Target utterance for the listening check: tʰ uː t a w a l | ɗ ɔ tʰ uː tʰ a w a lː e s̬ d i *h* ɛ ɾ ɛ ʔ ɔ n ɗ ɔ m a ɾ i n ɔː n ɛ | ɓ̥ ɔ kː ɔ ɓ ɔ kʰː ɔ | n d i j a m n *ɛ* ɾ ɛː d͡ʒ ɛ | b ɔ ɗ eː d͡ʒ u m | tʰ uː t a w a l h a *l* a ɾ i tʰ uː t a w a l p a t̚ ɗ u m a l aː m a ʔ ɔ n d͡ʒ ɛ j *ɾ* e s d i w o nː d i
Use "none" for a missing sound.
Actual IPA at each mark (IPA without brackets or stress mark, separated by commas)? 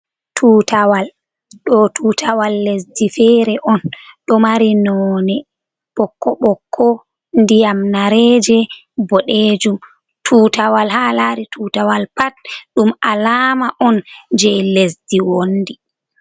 f, a, l, l